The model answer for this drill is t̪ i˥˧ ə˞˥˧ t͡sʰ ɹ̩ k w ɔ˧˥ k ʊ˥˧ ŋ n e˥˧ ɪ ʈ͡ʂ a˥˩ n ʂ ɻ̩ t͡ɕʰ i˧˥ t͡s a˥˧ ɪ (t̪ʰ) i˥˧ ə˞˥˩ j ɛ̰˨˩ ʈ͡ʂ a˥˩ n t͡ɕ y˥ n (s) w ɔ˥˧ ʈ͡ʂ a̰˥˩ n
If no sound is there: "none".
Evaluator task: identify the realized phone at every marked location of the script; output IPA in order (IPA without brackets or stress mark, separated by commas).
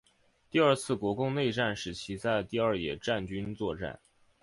t̪, t͡s